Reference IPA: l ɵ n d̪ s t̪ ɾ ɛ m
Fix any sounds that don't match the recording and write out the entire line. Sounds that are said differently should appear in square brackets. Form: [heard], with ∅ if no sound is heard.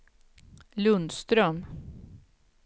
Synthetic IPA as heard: l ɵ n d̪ s t̪ ɾ [œ] m